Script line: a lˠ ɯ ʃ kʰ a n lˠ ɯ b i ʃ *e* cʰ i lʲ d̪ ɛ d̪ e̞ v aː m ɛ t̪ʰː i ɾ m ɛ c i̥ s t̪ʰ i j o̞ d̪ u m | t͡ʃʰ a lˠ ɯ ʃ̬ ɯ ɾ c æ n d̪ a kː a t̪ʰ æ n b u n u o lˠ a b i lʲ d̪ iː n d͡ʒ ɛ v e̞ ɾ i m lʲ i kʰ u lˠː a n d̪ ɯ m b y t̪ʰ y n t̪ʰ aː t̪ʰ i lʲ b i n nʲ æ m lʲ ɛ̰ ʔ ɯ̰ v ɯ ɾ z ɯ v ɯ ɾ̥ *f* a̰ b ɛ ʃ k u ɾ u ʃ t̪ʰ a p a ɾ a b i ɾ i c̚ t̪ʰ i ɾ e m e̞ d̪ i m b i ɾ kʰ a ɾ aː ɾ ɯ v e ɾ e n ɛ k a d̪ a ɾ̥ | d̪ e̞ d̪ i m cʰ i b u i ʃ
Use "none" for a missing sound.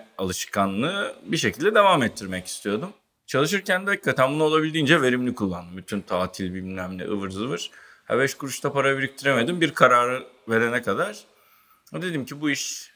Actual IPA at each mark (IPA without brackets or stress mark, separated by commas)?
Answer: e, h